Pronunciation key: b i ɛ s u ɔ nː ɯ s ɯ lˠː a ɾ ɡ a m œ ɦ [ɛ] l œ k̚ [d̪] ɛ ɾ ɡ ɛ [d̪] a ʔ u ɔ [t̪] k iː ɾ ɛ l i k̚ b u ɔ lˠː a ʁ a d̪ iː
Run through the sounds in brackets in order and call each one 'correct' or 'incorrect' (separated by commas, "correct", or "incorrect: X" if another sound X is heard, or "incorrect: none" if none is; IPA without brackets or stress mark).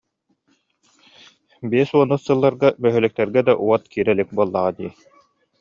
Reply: incorrect: œ, incorrect: t̪, correct, correct